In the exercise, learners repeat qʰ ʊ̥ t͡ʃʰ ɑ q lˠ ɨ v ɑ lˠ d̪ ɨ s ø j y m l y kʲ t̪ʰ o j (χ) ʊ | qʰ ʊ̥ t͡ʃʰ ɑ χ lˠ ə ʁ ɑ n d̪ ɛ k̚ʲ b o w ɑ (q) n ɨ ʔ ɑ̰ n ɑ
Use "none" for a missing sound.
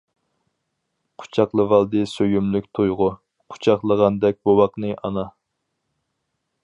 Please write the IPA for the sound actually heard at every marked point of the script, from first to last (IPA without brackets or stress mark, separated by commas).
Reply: ʁ, q